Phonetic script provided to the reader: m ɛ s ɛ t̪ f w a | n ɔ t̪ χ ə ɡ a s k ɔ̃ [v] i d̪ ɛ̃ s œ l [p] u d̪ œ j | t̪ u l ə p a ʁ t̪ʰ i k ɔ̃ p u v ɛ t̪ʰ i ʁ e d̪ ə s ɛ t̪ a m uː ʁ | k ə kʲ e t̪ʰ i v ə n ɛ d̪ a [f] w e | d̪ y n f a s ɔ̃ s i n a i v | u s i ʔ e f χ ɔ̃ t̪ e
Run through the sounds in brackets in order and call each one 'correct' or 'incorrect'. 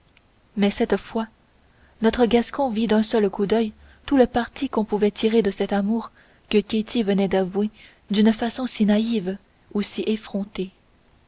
correct, incorrect: k, incorrect: v

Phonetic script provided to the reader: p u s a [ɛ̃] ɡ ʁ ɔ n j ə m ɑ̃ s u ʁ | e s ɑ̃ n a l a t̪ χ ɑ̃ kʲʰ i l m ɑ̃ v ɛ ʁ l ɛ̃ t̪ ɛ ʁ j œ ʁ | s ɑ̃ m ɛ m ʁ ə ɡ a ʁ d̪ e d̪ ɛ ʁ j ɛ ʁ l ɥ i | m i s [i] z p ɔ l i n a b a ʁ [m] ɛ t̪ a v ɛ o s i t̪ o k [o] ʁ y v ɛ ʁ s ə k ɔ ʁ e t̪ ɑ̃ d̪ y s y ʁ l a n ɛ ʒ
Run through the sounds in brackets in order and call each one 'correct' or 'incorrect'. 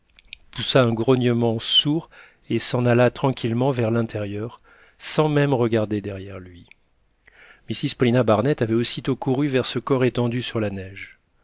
correct, correct, incorrect: n, incorrect: u

